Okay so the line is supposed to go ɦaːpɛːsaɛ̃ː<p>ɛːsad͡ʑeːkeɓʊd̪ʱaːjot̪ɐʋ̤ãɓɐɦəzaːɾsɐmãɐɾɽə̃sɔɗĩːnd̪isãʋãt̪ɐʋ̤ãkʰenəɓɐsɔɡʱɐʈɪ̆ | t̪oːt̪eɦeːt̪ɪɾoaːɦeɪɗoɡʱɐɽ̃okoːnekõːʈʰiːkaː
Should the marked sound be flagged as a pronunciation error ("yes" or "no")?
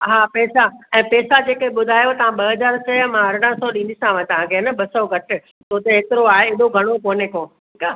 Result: no